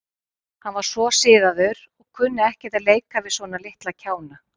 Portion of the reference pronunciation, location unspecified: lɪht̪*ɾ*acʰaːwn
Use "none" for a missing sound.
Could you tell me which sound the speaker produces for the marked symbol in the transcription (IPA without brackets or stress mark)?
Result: l